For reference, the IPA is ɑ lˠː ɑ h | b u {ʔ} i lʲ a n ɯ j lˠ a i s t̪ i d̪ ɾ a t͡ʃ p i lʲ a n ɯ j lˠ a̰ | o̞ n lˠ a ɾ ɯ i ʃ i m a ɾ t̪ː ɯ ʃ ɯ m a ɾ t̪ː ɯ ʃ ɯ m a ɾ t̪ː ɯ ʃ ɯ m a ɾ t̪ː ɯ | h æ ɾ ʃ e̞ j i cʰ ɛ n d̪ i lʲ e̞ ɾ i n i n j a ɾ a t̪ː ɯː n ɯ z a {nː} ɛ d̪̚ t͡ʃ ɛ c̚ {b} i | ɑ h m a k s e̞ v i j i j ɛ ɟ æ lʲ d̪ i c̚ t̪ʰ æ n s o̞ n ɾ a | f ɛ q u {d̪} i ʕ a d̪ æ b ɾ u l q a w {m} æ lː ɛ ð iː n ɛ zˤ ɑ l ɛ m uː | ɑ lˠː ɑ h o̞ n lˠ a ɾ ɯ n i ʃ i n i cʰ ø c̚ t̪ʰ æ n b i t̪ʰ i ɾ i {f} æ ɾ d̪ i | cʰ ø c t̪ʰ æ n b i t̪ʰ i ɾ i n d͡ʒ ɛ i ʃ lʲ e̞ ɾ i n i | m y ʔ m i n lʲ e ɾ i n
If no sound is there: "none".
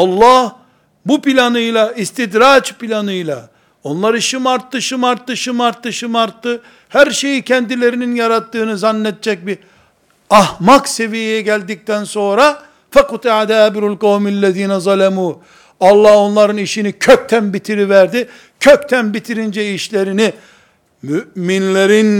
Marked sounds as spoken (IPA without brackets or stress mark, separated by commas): p, nː, b, t̪, m, v